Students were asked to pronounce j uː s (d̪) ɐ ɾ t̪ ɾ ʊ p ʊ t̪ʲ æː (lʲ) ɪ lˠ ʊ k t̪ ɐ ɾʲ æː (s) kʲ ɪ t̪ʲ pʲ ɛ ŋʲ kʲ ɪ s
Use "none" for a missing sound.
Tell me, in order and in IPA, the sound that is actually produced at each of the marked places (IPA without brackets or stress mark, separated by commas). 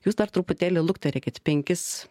d̪, lʲ, none